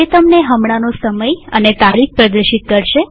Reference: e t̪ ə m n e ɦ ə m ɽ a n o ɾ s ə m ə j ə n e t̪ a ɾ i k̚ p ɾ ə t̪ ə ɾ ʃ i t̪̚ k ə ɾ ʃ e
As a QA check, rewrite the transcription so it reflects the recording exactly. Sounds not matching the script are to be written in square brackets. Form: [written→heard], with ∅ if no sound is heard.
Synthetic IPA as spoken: e t̪ ə m n e ɦ ə m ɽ a n o [ɾ→∅] s ə m ə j ə n e t̪ a ɾ i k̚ p ɾ ə [t̪→d̪] ə ɾ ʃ i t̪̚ k ə ɾ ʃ e

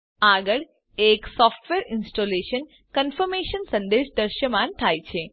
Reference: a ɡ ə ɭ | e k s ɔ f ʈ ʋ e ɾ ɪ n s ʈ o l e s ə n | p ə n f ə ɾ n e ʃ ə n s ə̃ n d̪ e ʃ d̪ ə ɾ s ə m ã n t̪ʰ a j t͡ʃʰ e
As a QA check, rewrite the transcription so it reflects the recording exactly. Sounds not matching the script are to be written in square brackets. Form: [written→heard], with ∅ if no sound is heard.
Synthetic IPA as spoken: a ɡ ə ɭ | e k s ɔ f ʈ ʋ e ɾ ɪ n s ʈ o l e [s→ʃ] ə n | [p→k] ə n f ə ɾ [n→m] e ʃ ə n s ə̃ n d̪ e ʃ d̪ ə ɾ [s→ʃ] ə m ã n t̪ʰ a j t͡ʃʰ e

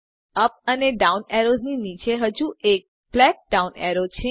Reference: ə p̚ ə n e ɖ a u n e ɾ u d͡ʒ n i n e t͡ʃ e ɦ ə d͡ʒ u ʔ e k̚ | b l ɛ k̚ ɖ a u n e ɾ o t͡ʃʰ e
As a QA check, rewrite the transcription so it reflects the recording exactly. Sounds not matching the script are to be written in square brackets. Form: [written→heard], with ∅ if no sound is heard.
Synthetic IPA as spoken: ə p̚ ə n e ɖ a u n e ɾ [u→o] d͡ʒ n i n [e→i] t͡ʃ e ɦ ə d͡ʒ u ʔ e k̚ | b l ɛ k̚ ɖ a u n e ɾ o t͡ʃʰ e

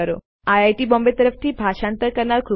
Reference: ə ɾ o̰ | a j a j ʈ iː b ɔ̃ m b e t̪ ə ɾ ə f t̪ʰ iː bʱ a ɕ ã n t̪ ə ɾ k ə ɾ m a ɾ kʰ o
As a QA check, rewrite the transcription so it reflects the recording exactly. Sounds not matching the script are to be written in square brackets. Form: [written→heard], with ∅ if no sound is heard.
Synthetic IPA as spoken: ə ɾ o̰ | a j a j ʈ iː b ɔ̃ m b e t̪ ə ɾ ə f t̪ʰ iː bʱ a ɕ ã n t̪ ə ɾ k ə ɾ [m→ɳ] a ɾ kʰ [o→u]

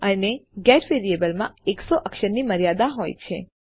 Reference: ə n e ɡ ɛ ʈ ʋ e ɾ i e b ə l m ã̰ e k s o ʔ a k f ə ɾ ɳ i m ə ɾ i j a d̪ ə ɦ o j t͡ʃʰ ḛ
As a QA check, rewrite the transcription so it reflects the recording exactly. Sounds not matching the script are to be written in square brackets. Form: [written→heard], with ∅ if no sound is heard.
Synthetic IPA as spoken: ə n e ɡ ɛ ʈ ʋ e ɾ i e b ə l m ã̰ e k s o ʔ [a→ə] k [f→ʃ] ə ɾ [ɳ→n] i m ə ɾ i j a d̪ [ə→a] ɦ o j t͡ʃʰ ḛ

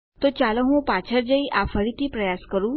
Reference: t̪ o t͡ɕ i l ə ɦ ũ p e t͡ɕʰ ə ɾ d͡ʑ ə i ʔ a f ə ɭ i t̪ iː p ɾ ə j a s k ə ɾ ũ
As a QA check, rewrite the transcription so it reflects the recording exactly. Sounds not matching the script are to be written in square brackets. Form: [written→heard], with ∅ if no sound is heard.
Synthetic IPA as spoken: t̪ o t͡ɕ [i→a] l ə ɦ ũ p [e→a] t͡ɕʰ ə ɾ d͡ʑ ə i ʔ a f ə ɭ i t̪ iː p ɾ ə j a s k ə ɾ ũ

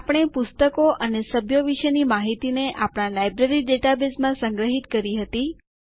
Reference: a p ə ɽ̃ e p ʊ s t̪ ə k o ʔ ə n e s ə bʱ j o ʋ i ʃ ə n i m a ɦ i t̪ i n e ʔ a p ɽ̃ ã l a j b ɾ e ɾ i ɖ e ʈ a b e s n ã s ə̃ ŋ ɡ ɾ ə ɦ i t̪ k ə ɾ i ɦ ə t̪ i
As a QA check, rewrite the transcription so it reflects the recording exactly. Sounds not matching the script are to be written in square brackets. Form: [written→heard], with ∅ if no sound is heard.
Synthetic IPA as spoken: a p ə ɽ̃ e p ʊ s t̪ ə k o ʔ ə n e s ə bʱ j o ʋ i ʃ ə n i m a ɦ i t̪ i n e ʔ a p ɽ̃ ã l a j b ɾ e ɾ i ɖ e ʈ a b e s [n→m] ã s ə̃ ŋ ɡ ɾ ə ɦ i t̪ k ə ɾ i ɦ ə t̪ i

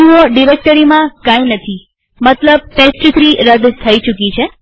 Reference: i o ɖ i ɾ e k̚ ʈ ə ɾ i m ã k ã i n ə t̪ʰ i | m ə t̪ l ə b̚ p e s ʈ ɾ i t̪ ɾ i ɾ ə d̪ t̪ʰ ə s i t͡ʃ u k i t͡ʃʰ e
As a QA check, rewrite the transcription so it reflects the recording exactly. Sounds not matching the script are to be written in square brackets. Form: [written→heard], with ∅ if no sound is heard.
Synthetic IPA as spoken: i o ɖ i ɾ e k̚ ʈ ə ɾ i m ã k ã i n ə t̪ʰ i | m ə t̪ l ə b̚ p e s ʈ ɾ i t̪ ɾ i ɾ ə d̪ t̪ʰ ə [s→∅] i t͡ʃ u k i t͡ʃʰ e

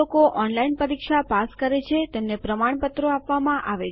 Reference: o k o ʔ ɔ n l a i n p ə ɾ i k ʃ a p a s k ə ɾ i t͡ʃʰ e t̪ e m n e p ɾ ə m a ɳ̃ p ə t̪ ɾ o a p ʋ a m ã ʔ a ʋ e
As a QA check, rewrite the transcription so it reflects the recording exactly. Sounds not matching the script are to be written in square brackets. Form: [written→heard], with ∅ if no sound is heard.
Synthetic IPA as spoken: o k o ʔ ɔ n l a i n p ə ɾ i k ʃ a p a s k ə ɾ [i→e] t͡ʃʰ e t̪ e m n e p ɾ ə m a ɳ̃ p ə t̪ ɾ o a p ʋ a m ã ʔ a ʋ e

